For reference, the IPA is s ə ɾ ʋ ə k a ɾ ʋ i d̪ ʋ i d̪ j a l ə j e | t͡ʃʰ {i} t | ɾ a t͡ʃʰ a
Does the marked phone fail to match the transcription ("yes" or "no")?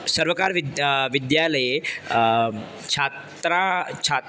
yes